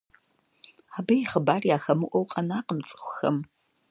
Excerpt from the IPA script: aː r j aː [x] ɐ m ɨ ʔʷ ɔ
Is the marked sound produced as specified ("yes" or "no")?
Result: yes